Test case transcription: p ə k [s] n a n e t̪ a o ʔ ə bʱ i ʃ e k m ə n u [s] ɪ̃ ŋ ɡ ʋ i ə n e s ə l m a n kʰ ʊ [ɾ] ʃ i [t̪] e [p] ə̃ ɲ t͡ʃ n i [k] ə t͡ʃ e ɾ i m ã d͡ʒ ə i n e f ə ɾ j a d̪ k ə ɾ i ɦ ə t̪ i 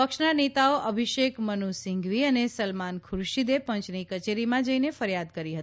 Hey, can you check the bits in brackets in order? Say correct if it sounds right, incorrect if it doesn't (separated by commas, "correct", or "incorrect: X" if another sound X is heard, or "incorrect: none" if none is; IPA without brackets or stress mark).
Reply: incorrect: ʃ, correct, correct, incorrect: d̪, correct, correct